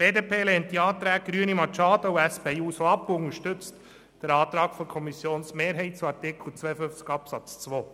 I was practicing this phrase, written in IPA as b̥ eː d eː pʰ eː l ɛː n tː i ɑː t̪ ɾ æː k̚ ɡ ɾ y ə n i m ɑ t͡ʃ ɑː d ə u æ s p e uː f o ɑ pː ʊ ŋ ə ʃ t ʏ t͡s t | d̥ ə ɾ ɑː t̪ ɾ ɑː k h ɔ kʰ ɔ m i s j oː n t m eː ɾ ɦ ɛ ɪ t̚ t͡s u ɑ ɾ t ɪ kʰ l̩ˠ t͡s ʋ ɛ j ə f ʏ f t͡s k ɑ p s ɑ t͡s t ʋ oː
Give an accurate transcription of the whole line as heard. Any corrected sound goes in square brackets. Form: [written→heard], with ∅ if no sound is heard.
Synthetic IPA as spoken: b̥ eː d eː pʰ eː l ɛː n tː i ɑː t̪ ɾ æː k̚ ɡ ɾ y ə n i m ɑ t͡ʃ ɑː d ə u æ s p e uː [f→s] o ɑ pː ʊ ŋ ə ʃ t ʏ t͡s t | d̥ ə ɾ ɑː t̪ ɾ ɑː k [h→f] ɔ kʰ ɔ m i s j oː n [t→s] m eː ɾ ɦ ɛ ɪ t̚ t͡s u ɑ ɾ t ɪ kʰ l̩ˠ t͡s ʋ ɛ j ə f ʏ f t͡s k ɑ p s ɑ t͡s [t→t͡s] ʋ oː